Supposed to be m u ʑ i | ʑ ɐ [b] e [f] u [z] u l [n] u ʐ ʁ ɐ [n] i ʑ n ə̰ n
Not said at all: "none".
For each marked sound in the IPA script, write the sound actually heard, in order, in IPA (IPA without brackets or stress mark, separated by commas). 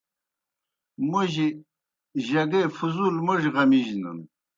ɡ, f, z, m, m